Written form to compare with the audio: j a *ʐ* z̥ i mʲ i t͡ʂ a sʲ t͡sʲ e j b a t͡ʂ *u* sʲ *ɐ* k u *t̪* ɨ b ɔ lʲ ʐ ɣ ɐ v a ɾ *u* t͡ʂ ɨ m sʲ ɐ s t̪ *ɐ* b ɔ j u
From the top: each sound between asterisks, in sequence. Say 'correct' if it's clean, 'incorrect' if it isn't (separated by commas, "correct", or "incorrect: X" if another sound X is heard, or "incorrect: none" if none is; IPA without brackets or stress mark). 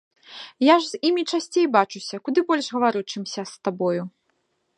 correct, correct, correct, incorrect: d̪, correct, incorrect: a